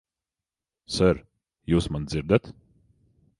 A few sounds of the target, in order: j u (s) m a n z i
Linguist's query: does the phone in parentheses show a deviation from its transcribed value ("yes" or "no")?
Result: no